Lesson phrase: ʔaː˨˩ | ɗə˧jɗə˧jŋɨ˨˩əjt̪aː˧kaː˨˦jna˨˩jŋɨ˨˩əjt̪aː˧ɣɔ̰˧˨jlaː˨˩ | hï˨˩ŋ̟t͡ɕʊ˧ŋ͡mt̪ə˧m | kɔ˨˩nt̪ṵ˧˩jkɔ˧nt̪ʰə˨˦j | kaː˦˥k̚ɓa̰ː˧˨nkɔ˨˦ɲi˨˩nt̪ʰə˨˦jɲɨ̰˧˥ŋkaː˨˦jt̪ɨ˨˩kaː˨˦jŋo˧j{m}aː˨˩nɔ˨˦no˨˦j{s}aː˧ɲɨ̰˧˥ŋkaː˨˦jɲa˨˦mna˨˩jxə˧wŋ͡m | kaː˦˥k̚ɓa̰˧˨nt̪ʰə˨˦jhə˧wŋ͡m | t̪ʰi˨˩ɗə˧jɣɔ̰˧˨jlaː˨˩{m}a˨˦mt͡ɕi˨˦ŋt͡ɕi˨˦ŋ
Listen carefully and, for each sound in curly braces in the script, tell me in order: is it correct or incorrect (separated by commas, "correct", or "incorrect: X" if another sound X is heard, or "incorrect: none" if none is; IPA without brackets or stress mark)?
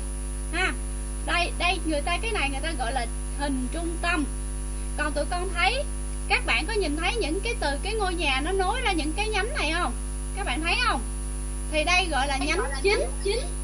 incorrect: ɲ, incorrect: z, incorrect: ɲ